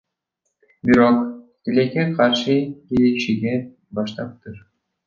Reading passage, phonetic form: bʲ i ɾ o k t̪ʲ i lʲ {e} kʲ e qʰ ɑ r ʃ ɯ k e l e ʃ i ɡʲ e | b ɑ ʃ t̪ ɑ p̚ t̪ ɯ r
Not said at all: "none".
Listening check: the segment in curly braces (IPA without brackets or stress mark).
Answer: e